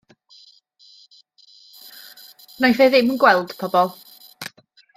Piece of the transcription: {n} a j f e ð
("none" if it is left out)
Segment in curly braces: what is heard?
n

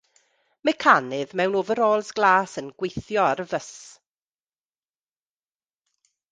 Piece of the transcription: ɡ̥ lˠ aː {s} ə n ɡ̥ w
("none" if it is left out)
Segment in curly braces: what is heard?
s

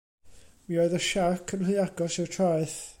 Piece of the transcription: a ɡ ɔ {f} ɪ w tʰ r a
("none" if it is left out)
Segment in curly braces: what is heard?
s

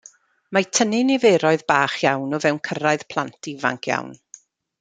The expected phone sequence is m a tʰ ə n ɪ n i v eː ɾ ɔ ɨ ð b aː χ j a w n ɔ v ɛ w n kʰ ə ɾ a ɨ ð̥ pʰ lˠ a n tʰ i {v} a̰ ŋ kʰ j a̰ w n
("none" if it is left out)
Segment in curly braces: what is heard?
v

